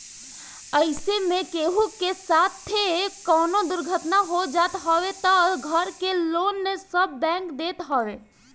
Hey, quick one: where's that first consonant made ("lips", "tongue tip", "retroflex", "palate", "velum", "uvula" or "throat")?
tongue tip